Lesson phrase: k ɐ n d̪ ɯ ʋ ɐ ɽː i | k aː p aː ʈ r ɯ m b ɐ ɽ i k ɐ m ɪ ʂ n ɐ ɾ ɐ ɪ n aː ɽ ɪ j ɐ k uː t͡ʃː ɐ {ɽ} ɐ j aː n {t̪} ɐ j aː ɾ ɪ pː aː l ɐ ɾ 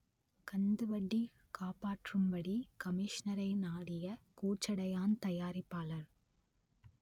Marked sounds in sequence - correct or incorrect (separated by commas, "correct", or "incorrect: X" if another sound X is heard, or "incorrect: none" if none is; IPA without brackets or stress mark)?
correct, correct